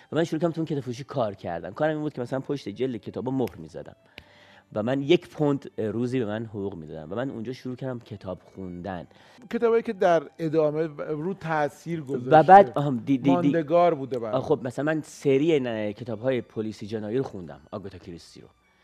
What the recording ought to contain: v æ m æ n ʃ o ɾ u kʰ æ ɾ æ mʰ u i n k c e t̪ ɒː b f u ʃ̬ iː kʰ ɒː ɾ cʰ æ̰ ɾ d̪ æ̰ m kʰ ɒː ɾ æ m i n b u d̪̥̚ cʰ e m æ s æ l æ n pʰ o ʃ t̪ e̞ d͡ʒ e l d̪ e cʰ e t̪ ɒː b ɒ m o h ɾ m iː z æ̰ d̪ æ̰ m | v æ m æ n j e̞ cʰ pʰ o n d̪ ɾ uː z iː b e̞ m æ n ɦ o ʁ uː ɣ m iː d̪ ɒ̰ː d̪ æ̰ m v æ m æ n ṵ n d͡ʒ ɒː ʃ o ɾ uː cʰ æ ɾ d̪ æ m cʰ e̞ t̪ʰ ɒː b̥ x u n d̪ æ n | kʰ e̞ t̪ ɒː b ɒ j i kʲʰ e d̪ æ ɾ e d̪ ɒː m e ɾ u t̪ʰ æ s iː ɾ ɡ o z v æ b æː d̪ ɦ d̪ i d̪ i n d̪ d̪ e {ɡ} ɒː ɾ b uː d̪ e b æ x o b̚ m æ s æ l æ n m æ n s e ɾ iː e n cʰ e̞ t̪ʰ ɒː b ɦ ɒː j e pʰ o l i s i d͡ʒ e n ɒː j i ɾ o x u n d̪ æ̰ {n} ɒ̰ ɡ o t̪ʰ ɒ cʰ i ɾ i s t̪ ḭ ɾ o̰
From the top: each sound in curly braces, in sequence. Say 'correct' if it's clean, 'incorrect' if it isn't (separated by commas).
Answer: correct, incorrect